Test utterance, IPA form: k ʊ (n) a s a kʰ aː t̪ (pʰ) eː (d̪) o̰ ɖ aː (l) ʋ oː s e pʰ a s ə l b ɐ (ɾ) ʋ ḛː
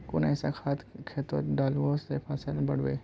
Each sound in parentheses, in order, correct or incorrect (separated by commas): correct, incorrect, incorrect, correct, incorrect